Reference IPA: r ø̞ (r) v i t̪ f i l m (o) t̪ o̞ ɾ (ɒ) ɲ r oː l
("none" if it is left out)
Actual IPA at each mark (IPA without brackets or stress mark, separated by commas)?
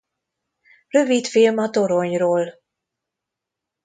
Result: none, ɒ, o